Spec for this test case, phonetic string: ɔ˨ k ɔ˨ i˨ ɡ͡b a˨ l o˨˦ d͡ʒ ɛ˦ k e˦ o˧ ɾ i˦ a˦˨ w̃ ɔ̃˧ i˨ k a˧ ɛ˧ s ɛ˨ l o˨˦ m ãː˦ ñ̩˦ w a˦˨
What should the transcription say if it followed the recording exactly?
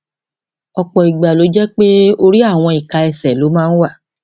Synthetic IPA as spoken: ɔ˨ k͡p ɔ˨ i˨ ɡ͡b a˨ l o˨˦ d͡ʒ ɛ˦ k͡p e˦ o˧ ɾ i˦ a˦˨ w̃ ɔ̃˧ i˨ k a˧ ɛ˧ s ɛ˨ l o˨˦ m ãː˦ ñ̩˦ w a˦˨